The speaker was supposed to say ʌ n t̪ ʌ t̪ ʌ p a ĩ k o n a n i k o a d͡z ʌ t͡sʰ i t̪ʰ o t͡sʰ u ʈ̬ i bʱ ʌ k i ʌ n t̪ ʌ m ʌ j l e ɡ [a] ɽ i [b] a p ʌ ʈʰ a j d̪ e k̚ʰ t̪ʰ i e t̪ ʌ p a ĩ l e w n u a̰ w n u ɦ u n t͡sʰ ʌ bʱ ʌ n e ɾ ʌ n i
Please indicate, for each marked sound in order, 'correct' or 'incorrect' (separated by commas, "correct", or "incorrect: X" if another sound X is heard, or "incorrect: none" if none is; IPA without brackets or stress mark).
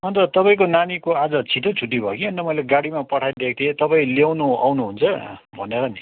correct, incorrect: m